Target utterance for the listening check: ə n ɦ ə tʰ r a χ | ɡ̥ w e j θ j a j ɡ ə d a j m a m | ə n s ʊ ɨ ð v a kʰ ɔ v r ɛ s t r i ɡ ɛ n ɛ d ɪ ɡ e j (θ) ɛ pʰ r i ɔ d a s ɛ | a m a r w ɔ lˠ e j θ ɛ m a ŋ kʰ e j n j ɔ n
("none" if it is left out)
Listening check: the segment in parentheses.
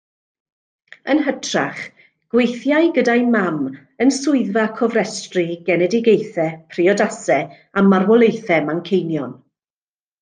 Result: θ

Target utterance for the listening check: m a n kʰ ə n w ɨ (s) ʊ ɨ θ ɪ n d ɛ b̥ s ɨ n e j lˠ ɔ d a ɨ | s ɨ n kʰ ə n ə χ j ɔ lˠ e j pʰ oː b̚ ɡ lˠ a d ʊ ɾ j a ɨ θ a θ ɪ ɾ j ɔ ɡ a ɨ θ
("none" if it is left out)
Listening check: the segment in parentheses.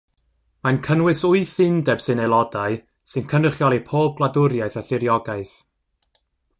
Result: s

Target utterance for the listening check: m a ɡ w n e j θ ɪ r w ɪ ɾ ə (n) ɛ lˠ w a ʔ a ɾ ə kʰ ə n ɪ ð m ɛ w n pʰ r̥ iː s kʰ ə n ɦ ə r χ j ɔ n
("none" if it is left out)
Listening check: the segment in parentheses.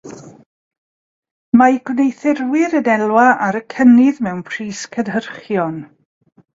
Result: n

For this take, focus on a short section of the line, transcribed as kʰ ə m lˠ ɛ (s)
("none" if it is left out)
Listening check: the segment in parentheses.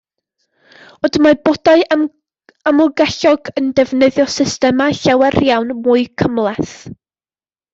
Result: θ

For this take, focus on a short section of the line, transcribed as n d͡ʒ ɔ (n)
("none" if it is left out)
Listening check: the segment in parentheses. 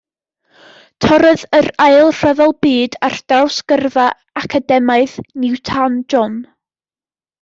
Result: n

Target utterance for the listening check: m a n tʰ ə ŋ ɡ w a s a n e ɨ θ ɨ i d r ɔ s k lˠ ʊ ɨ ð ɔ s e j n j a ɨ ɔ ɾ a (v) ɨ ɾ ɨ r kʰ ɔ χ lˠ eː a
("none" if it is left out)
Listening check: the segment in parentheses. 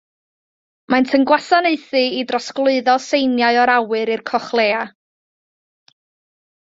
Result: w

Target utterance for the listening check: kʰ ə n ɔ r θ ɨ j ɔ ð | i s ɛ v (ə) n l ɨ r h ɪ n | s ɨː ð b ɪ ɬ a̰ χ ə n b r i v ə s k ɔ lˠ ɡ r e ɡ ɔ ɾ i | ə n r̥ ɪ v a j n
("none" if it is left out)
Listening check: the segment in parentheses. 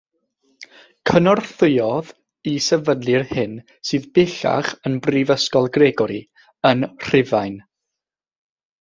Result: ə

